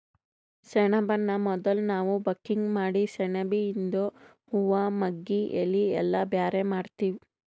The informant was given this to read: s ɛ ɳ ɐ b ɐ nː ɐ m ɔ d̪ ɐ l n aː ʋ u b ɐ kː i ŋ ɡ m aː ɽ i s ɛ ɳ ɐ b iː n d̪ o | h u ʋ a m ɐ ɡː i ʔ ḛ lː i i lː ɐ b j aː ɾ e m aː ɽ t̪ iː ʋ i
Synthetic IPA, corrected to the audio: s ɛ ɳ ɐ b ɐ nː ɐ m ɔ d̪ ɐ l n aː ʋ u b ɐ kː i ŋ ɡ m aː ɽ i s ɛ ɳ ɐ b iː n d̪ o | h u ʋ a m ɐ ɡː i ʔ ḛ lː i ɛ lː ɐ b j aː ɾ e m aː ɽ t̪ iː ʋ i